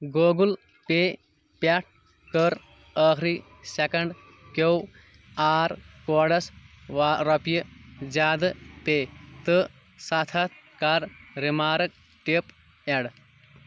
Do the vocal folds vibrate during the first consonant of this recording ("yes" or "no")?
yes